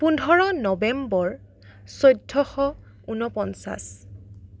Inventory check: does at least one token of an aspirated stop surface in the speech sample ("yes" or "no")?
no